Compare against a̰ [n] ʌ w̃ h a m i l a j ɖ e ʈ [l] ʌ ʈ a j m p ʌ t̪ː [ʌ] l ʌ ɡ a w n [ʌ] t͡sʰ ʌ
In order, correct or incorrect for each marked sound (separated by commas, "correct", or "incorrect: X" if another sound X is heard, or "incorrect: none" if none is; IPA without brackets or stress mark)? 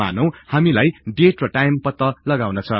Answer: correct, incorrect: r, correct, correct